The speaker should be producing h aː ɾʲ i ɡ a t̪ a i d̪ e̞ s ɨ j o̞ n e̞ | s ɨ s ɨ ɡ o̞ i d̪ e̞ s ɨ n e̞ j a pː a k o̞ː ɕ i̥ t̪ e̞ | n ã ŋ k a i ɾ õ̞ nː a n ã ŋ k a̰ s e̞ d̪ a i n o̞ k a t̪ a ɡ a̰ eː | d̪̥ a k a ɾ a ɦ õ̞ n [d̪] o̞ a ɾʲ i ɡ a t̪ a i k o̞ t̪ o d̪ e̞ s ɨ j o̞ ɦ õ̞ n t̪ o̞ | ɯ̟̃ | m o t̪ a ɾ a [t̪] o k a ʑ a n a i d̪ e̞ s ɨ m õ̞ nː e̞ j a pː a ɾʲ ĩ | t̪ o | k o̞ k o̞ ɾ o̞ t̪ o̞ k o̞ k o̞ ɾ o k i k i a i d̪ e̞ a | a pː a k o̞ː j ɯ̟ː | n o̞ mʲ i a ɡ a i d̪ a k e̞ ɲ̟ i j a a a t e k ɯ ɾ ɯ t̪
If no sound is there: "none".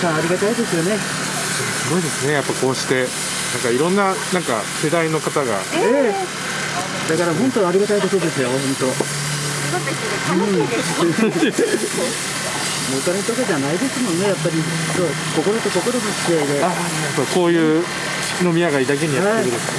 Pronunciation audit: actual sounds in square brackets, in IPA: t̪, t̪

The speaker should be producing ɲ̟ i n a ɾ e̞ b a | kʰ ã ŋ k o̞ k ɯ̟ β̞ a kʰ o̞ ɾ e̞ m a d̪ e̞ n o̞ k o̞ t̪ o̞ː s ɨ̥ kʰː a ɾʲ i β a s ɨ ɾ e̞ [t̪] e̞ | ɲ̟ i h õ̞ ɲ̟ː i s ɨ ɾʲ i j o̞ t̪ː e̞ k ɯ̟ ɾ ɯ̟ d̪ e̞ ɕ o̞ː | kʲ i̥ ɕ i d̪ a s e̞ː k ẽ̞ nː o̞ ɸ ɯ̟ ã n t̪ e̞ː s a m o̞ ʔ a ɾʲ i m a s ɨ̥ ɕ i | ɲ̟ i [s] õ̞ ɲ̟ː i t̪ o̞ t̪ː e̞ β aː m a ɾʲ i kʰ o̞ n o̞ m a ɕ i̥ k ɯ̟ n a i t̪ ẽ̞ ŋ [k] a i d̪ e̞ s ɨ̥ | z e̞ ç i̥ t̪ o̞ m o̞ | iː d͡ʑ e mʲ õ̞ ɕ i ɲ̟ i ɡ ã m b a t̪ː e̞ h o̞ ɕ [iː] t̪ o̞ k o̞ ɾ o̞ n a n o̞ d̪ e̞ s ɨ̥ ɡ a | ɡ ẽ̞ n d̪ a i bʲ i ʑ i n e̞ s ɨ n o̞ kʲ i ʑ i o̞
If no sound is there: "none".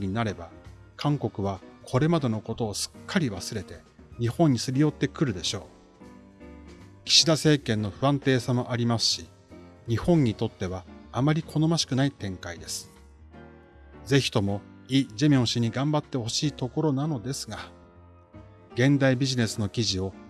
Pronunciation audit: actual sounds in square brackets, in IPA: t̪, h, k, iː

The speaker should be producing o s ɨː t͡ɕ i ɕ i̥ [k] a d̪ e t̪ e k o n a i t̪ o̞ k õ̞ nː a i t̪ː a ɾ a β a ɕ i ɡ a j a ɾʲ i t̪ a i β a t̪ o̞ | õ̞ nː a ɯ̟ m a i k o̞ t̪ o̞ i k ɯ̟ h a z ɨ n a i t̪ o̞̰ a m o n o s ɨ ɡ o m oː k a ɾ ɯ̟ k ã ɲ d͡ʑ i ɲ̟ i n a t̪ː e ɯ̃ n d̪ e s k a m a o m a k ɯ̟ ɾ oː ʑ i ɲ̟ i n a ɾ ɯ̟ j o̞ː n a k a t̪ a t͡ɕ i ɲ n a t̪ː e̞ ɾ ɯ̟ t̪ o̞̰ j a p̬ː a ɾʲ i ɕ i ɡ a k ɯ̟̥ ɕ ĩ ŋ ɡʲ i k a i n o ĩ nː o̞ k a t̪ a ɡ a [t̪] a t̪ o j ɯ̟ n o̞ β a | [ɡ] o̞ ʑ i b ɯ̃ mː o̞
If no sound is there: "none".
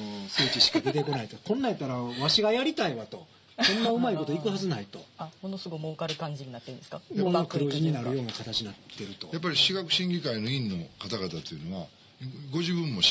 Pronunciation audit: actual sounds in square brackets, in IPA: k, t̪, ɡ

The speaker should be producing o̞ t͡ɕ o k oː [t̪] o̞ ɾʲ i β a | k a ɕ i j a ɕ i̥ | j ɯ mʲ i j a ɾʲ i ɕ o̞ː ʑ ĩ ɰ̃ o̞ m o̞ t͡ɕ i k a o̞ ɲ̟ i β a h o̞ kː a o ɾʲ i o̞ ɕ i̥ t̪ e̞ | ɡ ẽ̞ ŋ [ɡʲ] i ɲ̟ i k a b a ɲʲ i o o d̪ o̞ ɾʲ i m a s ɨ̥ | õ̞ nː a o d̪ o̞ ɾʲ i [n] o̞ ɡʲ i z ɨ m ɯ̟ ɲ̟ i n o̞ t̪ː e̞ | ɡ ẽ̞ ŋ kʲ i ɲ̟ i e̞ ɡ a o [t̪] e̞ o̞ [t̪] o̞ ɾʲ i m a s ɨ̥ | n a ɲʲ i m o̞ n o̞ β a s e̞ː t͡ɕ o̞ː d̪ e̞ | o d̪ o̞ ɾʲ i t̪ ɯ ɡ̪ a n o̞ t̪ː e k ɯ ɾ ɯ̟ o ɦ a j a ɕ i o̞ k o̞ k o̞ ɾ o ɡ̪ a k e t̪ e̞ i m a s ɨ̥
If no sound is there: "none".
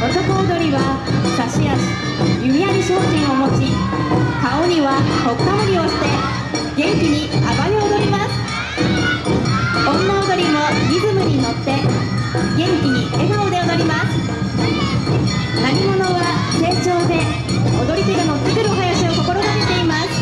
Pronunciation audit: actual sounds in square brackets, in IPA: d̪, kʲ, m, d̪, d̪

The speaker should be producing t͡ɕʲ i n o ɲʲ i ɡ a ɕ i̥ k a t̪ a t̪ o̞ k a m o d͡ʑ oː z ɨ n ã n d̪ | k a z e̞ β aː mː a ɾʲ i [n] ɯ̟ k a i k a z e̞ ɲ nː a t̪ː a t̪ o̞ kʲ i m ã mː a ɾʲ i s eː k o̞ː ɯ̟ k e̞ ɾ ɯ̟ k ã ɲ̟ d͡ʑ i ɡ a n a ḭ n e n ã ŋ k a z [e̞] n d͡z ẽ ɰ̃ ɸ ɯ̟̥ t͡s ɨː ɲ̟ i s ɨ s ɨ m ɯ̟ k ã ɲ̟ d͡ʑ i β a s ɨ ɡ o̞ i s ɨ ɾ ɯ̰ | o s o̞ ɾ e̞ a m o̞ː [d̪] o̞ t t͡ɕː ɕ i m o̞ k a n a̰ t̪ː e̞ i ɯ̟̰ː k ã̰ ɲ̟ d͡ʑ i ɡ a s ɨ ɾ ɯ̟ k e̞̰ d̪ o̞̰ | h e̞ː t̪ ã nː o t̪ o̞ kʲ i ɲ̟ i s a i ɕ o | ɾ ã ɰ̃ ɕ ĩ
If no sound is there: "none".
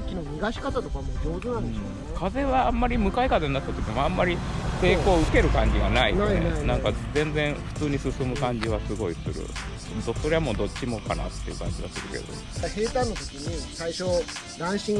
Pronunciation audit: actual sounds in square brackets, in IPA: m, ẽ̞, d̪

